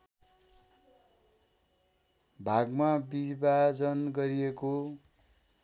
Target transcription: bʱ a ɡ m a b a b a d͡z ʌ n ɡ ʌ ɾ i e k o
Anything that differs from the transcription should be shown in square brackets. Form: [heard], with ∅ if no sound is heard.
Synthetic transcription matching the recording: bʱ a ɡ m a b [i] b a d͡z ʌ n ɡ ʌ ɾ i e k o